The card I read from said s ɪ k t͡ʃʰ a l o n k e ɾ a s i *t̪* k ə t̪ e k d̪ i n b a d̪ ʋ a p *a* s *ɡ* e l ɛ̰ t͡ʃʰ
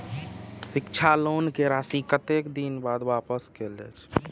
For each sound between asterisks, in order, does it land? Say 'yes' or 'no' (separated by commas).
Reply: no, no, no